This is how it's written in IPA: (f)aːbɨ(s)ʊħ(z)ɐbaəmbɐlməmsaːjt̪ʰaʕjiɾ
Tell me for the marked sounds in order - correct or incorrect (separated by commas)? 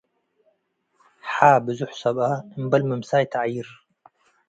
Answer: incorrect, incorrect, incorrect